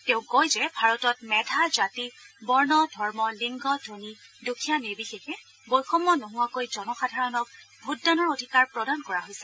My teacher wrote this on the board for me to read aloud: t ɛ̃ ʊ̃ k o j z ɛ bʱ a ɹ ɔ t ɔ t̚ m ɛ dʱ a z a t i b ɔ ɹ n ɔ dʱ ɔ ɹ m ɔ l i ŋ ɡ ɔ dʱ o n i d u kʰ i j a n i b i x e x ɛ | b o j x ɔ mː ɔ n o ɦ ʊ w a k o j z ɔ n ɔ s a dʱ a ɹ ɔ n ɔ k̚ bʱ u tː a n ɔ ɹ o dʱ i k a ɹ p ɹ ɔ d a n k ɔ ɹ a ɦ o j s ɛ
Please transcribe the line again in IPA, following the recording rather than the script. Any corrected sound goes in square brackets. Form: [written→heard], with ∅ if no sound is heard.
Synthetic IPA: t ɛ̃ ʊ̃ k o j z ɛ bʱ a ɹ ɔ t ɔ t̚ m ɛ dʱ a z a t i b ɔ ɹ n ɔ dʱ ɔ ɹ m ɔ l i ŋ ɡ ɔ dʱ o n i d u kʰ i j a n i b i x e x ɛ | b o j x ɔ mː ɔ n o ɦ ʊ w a k o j z ɔ n ɔ [s→x] a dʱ a ɹ ɔ n ɔ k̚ bʱ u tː a n ɔ ɹ o dʱ i k a ɹ p ɹ ɔ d a n k ɔ ɹ a ɦ o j s ɛ